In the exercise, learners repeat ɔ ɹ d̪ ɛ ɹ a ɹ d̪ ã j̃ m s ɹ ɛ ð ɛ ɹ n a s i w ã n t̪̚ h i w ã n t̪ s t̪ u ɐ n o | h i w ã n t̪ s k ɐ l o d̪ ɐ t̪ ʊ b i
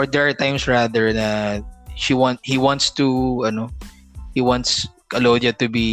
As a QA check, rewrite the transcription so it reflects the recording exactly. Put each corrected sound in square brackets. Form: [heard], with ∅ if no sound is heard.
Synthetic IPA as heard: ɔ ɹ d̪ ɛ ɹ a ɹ [t̪] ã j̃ m s ɹ [a] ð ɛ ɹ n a [ʃ] i w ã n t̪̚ h i w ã n t̪ s t̪ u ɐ n o | h i w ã n t̪ s k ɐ l o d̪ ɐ t̪ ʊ b i